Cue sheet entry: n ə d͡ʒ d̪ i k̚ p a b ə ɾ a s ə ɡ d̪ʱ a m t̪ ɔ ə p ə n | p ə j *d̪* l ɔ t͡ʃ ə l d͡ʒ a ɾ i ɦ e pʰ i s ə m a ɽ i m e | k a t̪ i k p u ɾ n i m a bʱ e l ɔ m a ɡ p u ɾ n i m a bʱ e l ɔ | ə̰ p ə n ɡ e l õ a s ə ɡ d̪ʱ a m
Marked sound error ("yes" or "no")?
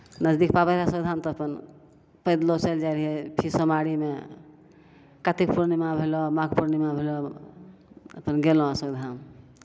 no